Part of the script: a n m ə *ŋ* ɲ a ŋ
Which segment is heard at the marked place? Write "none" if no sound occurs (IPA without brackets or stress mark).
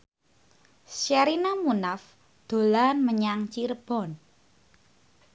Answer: none